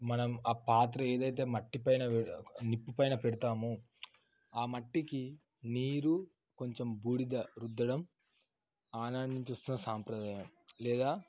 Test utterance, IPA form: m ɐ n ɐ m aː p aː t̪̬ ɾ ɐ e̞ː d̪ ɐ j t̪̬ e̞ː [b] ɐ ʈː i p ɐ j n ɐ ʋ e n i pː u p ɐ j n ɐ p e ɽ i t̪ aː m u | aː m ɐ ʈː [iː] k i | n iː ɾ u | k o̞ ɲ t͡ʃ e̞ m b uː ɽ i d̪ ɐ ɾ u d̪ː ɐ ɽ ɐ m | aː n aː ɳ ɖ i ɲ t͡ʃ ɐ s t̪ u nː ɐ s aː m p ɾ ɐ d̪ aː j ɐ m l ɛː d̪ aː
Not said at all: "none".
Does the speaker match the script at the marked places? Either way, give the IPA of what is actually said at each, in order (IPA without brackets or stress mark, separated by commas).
m, i